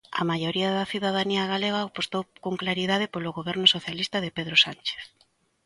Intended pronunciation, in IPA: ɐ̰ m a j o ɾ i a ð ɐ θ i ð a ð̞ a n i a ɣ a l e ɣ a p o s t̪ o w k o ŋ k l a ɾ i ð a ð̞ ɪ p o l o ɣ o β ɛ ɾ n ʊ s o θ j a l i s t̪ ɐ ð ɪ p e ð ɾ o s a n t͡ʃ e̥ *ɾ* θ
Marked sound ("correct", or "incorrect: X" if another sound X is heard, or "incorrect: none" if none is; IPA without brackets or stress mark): incorrect: none